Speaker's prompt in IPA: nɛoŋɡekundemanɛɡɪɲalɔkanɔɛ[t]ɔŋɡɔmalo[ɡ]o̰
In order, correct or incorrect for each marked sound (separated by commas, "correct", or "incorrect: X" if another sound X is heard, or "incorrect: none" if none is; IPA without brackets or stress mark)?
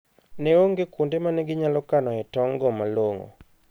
correct, incorrect: ŋ